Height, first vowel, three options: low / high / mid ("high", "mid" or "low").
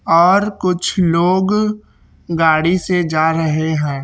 mid